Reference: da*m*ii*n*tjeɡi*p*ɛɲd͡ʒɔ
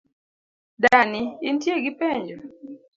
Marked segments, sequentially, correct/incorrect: incorrect: n, correct, correct

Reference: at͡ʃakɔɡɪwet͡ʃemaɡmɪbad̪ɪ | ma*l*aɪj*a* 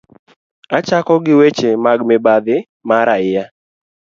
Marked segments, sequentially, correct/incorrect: incorrect: ɾ, correct

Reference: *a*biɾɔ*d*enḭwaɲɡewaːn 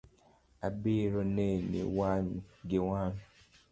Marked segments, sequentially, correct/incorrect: correct, incorrect: n

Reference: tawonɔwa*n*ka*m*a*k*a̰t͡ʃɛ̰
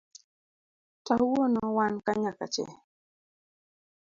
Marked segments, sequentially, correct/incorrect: correct, incorrect: ɲ, correct

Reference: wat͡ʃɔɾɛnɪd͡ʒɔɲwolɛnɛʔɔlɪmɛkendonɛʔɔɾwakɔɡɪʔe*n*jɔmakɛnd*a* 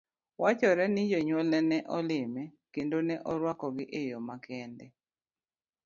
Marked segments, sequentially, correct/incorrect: incorrect: none, incorrect: ɛ

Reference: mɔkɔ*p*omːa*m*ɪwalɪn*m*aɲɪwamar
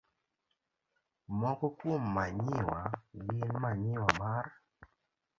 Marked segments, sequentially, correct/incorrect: incorrect: k, incorrect: ɲ, correct

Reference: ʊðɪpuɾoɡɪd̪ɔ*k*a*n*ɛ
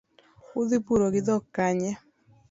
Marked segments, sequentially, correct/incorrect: correct, incorrect: ɲ

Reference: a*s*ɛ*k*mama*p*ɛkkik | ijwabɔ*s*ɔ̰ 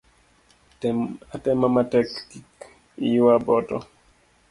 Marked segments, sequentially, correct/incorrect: incorrect: t, incorrect: none, incorrect: t, incorrect: t

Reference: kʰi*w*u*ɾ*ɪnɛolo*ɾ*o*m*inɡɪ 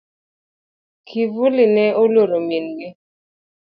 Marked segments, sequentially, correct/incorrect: incorrect: v, incorrect: l, correct, correct

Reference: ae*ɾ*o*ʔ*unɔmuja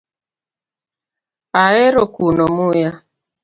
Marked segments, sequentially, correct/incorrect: correct, incorrect: k

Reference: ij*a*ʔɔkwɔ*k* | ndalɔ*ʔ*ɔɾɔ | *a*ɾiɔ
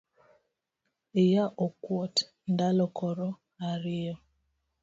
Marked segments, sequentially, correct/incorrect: correct, incorrect: t, incorrect: k, correct

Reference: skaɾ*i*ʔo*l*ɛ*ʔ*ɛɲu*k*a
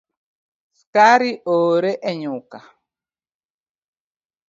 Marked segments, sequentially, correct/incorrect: correct, incorrect: ɾ, correct, correct

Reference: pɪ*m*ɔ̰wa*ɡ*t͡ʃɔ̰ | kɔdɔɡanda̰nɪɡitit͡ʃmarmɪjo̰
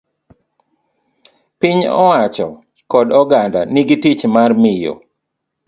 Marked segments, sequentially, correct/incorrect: incorrect: ɲ, incorrect: none

